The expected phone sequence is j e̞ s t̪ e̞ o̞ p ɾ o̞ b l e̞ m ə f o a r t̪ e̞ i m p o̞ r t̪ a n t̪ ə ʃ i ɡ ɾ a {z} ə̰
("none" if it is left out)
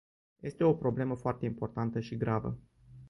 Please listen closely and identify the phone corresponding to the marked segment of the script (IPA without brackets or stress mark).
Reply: v